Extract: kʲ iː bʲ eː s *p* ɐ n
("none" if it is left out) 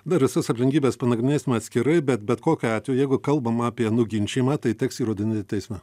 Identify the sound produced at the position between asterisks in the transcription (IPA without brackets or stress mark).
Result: p